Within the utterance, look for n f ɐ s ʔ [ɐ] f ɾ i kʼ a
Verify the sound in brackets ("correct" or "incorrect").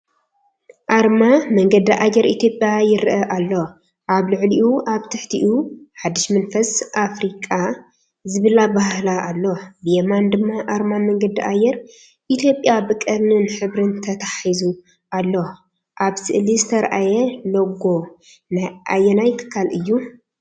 incorrect